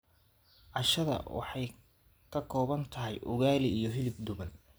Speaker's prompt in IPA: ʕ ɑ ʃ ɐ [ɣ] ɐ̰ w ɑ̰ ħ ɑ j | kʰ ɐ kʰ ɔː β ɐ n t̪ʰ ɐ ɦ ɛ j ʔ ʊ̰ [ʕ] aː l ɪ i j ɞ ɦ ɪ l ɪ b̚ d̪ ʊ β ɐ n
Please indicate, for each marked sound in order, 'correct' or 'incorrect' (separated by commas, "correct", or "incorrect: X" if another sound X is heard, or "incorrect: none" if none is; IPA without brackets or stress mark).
incorrect: ð, incorrect: ɣ